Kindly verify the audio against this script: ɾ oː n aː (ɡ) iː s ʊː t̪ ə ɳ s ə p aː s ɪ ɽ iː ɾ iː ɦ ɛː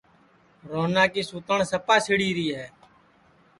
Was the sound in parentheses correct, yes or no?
no